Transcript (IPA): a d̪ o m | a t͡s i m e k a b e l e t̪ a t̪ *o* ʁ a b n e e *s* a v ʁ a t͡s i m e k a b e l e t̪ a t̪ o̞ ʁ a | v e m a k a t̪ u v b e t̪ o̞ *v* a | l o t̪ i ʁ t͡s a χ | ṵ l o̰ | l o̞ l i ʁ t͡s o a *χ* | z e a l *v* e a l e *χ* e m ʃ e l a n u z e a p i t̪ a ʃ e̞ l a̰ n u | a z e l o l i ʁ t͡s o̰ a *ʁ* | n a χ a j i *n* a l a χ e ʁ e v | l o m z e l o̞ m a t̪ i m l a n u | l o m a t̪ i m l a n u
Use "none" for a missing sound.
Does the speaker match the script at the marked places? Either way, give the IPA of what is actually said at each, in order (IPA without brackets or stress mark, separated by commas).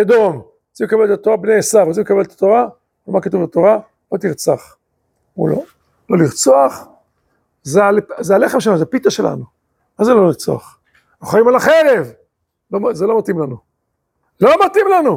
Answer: o, s, ʁ, χ, z, χ, χ, m